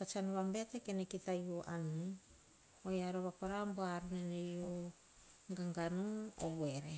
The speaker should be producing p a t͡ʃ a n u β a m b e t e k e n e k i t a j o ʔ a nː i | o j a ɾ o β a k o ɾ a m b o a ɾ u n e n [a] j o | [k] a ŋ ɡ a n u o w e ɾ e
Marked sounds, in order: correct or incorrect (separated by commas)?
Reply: incorrect, incorrect